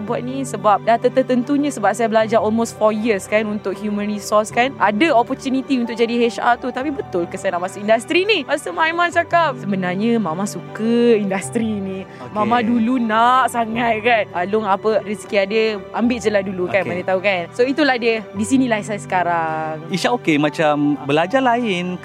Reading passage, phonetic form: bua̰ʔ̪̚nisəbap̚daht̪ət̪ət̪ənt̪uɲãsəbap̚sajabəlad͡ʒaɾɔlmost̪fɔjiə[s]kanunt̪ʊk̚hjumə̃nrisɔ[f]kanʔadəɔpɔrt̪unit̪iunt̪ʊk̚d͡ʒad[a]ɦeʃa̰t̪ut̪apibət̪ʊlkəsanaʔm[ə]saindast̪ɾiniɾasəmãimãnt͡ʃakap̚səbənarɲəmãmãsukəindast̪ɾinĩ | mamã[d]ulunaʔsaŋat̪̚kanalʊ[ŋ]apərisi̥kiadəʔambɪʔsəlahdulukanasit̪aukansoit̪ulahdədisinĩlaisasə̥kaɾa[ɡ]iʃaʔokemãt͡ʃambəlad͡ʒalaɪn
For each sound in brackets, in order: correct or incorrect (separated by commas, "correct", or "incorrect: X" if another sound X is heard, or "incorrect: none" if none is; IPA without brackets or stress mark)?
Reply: correct, incorrect: s, incorrect: i, incorrect: a, correct, correct, incorrect: ŋ